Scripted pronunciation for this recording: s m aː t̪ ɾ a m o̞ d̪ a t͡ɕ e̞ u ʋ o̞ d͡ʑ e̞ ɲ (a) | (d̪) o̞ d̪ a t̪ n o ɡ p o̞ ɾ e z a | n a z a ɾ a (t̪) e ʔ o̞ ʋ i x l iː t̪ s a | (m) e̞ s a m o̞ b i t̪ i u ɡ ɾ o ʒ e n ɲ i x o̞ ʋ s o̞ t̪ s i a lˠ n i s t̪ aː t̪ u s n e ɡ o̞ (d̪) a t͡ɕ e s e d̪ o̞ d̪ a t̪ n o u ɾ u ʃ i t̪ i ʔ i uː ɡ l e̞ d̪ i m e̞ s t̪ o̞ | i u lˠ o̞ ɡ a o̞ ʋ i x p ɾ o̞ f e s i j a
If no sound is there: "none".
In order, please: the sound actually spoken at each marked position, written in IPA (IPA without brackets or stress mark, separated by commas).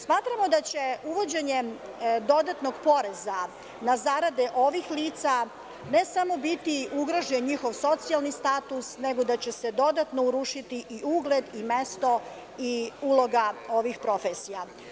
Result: e, d̪, d̪, n, d̪